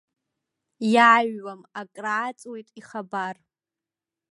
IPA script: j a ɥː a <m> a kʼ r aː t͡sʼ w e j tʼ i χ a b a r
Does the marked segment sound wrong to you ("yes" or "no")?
no